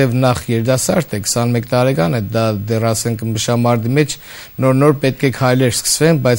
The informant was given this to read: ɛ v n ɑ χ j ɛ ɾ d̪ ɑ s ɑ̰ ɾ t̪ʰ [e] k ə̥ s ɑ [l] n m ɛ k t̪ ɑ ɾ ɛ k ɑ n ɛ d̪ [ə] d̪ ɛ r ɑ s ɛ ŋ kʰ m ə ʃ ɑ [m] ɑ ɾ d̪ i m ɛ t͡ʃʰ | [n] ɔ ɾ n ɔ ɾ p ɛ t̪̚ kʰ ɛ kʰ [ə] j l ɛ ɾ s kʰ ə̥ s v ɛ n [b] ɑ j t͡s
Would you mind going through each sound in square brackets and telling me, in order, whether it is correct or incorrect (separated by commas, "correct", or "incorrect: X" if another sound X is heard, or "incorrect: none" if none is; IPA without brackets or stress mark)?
incorrect: ɛ, incorrect: none, incorrect: ɑ, correct, correct, incorrect: ɑ, correct